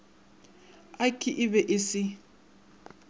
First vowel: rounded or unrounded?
unrounded